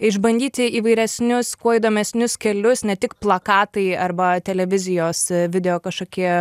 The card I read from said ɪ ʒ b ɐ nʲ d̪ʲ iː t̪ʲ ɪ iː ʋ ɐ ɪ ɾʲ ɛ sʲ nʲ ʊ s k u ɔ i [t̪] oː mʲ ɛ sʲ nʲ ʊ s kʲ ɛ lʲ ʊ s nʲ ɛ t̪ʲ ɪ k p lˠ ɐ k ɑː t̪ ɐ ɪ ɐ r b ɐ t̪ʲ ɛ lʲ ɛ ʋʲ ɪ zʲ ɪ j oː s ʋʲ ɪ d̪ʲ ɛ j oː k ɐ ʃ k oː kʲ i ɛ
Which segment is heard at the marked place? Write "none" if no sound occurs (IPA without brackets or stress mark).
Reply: d̪